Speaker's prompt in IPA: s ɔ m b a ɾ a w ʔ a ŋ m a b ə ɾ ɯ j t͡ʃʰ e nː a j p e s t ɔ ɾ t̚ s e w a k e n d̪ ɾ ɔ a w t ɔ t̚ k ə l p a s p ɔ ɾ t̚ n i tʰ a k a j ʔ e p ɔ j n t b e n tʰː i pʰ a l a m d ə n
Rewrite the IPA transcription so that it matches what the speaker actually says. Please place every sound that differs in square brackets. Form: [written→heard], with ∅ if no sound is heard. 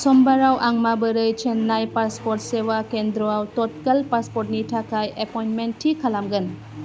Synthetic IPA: s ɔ m b a ɾ a w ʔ a ŋ m a b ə ɾ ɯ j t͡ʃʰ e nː a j p [e→a] s [t→p] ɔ ɾ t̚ s e w a k e n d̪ ɾ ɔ a w t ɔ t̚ k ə l p a s p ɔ ɾ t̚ n i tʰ a k a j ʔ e p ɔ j n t [b→m] e n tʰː i [pʰ→kʰ] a l a m [d→ɡ] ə n